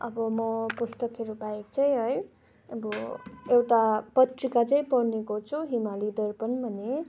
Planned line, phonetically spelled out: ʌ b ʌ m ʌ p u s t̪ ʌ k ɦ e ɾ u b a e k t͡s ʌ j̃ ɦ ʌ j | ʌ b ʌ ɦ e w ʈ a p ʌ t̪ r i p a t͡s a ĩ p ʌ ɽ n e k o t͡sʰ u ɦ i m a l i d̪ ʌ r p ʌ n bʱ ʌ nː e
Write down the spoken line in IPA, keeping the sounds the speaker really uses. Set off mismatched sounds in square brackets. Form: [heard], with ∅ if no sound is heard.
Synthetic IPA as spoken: ʌ b ʌ m ʌ p u s t̪ ʌ k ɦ e ɾ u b a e k t͡s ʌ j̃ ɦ ʌ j | ʌ b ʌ [∅] e w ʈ a p ʌ t̪ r i [k] a t͡s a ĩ p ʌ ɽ n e k o t͡sʰ u ɦ i m a l i d̪ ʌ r p ʌ n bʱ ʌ [n] e